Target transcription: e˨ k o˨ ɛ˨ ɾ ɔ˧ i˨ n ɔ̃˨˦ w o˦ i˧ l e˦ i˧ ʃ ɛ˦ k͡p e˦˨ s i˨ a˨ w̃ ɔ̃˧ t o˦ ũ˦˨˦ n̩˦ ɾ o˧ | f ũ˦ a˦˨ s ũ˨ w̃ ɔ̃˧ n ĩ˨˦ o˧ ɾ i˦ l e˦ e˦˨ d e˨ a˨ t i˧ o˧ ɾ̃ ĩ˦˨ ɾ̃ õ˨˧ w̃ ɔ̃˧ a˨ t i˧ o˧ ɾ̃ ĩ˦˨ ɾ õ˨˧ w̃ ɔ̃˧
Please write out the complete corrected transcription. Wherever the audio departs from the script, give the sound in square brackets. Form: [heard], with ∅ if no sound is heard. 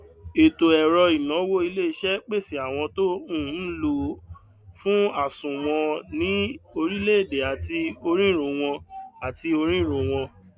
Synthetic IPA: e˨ [t] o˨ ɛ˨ ɾ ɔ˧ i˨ n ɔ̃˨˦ w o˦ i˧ l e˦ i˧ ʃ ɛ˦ k͡p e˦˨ s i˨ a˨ w̃ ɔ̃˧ t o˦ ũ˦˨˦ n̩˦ [l] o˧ | f ũ˦ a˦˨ s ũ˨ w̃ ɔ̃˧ n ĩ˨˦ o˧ ɾ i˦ l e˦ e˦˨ d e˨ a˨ t i˧ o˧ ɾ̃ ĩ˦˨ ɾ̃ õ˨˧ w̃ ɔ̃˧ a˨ t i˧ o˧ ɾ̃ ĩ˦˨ ɾ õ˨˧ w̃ ɔ̃˧